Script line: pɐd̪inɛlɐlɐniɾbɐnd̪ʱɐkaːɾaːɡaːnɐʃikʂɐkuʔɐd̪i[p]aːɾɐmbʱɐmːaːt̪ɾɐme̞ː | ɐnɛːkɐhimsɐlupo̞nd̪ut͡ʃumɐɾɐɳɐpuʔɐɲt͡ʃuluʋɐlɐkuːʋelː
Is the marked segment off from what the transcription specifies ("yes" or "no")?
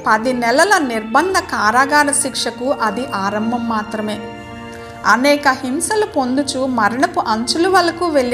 yes